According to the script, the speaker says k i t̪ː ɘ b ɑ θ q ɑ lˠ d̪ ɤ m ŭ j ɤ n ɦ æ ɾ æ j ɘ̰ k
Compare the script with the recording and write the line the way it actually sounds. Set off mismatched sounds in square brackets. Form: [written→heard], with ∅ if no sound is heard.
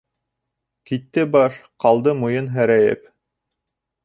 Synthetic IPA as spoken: k i t̪ː ɘ b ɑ [θ→ʃ] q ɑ lˠ d̪ ɤ m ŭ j ɤ n ɦ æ ɾ æ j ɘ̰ [k→p]